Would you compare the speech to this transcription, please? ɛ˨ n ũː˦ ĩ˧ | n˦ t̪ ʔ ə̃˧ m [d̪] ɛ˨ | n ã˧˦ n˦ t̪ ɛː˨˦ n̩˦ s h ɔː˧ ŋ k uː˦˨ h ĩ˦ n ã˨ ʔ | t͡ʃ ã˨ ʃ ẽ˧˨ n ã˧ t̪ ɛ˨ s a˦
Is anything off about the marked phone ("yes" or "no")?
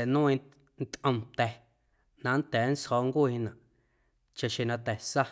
yes